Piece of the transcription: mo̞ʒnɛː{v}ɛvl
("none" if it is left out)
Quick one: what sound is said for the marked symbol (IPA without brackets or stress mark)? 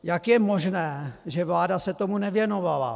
ʒ